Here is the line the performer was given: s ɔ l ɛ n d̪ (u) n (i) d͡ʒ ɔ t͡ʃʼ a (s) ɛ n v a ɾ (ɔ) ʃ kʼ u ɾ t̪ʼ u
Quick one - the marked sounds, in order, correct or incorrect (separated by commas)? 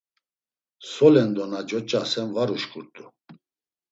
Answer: incorrect, incorrect, correct, incorrect